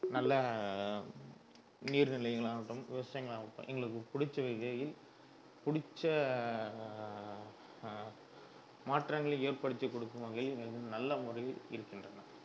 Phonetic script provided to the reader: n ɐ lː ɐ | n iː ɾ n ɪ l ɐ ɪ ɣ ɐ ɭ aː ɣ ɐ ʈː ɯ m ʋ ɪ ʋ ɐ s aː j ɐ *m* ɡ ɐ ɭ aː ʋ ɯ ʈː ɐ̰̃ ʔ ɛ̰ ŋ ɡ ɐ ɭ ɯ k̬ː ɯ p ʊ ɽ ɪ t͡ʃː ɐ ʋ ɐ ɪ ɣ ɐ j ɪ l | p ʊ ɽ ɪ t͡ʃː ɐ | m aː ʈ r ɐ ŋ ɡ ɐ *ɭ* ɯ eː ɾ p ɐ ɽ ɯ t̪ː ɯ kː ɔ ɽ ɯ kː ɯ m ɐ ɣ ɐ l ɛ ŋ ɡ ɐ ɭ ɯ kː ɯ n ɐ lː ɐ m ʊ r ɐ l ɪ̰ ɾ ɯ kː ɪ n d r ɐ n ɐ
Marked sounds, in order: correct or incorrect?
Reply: incorrect, correct

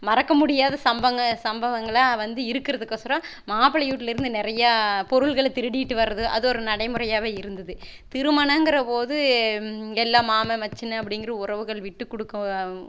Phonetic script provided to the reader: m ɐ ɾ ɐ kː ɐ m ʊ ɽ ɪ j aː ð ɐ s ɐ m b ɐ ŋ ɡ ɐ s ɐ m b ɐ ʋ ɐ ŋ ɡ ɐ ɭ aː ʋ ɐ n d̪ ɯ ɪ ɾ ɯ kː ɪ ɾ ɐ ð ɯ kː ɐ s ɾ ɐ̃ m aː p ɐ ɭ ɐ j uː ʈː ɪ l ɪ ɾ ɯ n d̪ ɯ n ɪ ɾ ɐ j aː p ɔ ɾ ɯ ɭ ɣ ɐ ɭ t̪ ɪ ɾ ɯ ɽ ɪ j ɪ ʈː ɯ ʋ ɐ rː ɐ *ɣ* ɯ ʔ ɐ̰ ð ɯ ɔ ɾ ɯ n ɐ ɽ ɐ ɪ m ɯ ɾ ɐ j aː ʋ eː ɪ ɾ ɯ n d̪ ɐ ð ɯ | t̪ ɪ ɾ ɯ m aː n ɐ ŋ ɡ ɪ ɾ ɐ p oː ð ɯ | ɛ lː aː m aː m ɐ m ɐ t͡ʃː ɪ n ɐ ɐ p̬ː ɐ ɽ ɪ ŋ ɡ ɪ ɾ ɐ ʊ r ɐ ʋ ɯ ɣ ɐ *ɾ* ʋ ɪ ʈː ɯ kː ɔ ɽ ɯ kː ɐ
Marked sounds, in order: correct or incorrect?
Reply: incorrect, incorrect

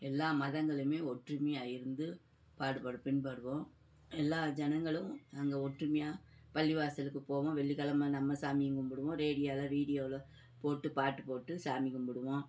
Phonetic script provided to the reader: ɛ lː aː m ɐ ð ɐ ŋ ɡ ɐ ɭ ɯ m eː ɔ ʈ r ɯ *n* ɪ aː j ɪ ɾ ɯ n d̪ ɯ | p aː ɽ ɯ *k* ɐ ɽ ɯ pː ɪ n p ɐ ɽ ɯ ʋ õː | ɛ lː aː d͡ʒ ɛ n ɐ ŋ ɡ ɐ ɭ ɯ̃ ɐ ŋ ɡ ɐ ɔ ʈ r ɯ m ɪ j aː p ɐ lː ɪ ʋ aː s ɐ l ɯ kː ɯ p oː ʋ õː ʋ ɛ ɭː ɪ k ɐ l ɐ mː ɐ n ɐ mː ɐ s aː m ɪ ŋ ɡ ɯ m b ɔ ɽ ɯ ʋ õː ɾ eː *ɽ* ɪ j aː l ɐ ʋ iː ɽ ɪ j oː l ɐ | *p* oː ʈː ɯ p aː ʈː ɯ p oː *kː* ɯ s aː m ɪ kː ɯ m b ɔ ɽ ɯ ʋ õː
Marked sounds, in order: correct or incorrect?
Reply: incorrect, incorrect, correct, correct, incorrect

